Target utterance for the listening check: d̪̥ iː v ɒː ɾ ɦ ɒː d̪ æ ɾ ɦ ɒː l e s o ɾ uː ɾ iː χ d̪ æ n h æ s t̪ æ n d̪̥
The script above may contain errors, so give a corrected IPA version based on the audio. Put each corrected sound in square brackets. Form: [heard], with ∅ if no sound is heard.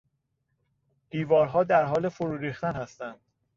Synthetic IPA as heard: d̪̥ iː v ɒː ɾ ɦ ɒː d̪ æ ɾ ɦ ɒː l e [f] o ɾ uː ɾ iː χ [t̪] æ n h æ s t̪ æ n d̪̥